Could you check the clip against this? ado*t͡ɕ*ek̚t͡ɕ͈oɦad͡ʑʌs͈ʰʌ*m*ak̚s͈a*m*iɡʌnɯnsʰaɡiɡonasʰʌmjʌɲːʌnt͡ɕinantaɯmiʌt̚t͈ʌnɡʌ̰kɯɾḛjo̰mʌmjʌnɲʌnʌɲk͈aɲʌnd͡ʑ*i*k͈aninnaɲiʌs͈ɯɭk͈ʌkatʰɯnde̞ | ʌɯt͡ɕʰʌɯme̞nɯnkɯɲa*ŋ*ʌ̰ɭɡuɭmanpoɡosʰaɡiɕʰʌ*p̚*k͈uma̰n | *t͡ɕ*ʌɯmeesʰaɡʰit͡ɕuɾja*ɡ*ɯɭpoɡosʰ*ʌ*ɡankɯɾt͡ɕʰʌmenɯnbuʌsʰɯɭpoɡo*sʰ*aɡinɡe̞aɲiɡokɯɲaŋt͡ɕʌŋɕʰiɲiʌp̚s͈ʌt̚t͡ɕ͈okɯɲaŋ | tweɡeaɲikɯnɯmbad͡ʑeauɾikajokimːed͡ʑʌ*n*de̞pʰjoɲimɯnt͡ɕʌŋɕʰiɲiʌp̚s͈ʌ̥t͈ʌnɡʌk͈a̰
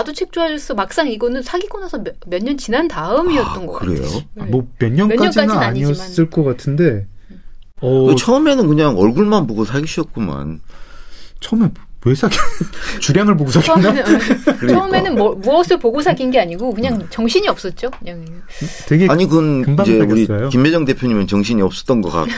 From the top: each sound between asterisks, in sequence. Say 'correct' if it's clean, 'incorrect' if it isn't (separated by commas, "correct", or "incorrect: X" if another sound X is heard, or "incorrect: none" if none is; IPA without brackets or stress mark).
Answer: incorrect: t͡ɕʰ, correct, incorrect: ŋ, correct, correct, incorrect: t̚, incorrect: t͡ɕʰ, incorrect: ŋ, incorrect: a, correct, incorrect: ŋ